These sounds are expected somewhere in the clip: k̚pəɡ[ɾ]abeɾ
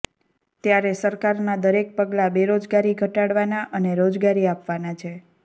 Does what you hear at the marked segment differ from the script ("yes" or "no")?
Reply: yes